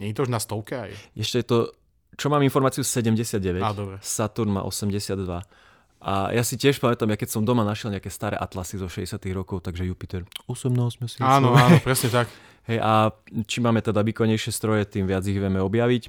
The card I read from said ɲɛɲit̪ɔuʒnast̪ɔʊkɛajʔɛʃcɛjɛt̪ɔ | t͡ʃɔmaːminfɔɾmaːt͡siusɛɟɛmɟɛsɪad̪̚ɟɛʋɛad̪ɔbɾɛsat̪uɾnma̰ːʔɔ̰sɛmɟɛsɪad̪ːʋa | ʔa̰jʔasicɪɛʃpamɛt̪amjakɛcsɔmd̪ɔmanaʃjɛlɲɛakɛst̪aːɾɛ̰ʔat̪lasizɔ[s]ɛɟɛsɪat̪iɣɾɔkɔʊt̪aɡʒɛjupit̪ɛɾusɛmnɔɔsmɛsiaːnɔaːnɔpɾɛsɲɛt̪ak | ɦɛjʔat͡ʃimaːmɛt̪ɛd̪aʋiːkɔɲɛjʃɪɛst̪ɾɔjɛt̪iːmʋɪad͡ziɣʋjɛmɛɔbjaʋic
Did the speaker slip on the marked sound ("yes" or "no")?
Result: yes